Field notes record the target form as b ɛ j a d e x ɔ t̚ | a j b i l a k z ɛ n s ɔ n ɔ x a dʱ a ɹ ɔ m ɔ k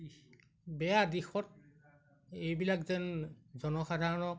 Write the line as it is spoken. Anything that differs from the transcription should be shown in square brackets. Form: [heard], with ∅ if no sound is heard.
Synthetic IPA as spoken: b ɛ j a d [i] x ɔ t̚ | [e] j b i l a k z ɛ n [z] ɔ n ɔ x a dʱ a ɹ ɔ [n] ɔ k